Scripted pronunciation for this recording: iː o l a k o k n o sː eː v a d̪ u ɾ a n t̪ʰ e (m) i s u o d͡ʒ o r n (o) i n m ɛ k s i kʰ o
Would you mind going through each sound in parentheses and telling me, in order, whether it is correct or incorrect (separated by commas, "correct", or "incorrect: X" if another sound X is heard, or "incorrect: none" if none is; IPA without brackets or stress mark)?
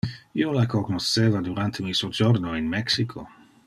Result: correct, correct